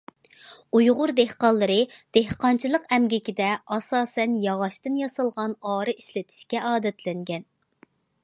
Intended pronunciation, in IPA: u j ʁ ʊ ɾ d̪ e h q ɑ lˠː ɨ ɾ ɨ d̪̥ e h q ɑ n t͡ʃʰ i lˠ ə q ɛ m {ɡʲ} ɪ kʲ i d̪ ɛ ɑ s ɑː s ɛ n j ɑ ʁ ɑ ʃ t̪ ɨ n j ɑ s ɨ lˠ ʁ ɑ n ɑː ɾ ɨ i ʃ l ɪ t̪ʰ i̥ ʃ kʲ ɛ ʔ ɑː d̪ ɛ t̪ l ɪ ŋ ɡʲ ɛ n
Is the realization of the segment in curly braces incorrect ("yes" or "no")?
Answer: no